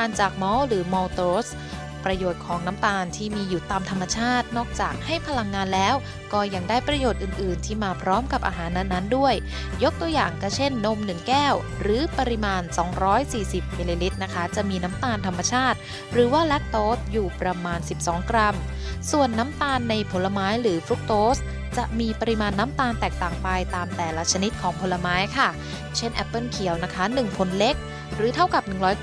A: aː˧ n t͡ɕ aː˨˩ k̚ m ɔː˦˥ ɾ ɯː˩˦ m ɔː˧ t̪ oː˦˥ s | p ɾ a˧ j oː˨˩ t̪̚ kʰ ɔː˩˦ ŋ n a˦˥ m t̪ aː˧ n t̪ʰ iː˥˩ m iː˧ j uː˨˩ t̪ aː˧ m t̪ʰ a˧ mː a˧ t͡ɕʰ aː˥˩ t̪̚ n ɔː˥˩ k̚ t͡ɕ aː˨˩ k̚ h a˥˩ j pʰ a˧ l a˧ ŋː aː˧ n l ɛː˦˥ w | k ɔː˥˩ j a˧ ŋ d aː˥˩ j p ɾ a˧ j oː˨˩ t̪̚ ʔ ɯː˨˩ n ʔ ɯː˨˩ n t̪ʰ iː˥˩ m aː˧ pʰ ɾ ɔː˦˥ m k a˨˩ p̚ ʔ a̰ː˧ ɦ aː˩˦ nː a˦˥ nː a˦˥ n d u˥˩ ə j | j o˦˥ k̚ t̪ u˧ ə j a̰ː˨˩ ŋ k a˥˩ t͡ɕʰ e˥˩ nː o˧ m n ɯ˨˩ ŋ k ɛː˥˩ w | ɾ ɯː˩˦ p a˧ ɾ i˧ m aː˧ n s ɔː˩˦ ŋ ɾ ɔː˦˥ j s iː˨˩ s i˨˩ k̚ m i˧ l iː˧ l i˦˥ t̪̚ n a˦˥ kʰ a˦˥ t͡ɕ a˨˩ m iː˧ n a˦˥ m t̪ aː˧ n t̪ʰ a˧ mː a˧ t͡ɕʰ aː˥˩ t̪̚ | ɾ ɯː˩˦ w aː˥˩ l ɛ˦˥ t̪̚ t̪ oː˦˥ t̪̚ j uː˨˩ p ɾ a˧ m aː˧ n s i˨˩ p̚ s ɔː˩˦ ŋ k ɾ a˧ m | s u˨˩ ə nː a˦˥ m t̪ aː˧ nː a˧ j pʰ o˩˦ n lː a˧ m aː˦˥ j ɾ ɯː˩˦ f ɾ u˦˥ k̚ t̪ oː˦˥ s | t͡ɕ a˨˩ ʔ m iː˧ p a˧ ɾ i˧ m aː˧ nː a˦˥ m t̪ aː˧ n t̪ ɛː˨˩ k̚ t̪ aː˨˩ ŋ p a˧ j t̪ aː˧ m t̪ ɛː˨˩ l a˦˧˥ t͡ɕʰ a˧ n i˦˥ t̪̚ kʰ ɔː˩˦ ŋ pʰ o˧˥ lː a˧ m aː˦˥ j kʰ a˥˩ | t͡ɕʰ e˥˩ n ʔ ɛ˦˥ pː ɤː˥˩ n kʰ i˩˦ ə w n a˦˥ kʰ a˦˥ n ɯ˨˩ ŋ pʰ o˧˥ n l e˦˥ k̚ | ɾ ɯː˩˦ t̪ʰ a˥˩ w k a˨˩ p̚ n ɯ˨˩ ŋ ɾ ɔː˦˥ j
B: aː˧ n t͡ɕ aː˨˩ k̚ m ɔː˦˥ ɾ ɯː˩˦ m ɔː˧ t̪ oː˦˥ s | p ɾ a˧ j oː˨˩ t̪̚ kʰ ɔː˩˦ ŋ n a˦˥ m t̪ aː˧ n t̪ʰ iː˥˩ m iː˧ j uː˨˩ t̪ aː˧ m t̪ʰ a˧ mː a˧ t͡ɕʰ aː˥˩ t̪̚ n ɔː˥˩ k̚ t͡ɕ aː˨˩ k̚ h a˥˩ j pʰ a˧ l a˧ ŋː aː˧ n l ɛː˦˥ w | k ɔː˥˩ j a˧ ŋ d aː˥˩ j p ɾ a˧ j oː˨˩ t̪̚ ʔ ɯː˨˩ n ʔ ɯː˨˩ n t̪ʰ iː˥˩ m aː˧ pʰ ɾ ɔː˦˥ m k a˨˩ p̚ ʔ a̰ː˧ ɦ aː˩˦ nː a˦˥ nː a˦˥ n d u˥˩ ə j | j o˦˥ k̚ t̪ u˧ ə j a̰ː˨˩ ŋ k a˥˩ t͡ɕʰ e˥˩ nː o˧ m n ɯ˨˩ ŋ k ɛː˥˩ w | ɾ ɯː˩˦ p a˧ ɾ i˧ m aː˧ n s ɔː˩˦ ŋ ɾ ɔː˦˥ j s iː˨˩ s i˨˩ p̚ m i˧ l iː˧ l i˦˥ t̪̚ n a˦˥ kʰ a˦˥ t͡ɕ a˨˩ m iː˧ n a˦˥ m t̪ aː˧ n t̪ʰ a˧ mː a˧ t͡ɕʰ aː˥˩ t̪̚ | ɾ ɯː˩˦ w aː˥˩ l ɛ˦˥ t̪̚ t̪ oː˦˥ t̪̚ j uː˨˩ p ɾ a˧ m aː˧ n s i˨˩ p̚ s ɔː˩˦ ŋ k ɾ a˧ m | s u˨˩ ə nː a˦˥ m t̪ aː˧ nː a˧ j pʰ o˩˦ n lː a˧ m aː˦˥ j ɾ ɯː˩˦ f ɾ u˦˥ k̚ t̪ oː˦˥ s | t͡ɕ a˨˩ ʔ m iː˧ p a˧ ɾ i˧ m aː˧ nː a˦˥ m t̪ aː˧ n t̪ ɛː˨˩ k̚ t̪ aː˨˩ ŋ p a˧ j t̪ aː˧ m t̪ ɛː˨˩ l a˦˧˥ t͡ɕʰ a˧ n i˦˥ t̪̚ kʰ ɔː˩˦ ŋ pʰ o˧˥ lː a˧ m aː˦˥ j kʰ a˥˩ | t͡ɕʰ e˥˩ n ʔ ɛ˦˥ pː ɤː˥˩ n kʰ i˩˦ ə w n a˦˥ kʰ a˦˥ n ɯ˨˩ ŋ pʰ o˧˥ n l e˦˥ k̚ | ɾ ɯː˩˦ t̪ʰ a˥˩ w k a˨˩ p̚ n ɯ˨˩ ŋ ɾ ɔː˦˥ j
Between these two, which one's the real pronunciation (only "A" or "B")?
B